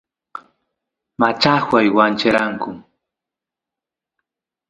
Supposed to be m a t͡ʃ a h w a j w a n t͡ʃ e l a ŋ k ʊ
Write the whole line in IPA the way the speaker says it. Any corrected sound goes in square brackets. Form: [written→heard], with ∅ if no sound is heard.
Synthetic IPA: m a t͡ʃ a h w a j w a n t͡ʃ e [l→ɾ] a ŋ k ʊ